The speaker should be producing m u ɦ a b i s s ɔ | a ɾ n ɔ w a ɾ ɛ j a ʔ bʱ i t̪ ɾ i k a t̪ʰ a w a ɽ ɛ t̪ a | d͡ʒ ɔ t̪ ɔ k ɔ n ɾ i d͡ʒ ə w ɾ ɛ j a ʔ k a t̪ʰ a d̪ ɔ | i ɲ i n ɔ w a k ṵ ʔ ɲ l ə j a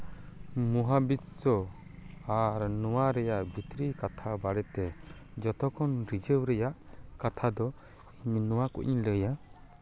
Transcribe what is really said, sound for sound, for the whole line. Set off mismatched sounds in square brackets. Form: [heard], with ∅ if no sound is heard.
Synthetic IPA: m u ɦ a b i s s ɔ | a ɾ n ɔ w a ɾ ɛ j a ʔ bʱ i t̪ ɾ i k a t̪ʰ a [b] a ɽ ɛ t̪ [ɛ] | d͡ʒ ɔ t̪ ɔ k ɔ n ɾ i d͡ʒ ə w ɾ ɛ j a ʔ k a t̪ʰ a d̪ ɔ | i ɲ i n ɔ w a k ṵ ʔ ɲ l ə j a